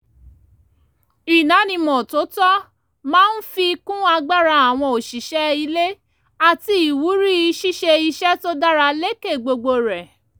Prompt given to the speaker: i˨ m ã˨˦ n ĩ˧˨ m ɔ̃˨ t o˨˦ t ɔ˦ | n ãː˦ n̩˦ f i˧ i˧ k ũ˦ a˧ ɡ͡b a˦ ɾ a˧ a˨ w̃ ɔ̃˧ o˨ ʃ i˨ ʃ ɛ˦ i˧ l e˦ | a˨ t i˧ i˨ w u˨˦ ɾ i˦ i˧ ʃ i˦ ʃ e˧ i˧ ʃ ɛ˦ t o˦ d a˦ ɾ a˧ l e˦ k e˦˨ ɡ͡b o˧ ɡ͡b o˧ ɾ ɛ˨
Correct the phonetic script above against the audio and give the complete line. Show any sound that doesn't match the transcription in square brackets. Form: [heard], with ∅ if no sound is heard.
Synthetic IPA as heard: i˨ [n] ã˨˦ n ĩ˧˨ m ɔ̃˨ t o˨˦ t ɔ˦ | [m] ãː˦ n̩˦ f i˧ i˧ k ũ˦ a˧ ɡ͡b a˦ ɾ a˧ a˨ w̃ ɔ̃˧ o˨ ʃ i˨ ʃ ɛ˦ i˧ l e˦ | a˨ t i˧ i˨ w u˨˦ ɾ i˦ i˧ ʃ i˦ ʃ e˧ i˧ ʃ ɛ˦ t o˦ d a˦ ɾ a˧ l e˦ k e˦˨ ɡ͡b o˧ ɡ͡b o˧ ɾ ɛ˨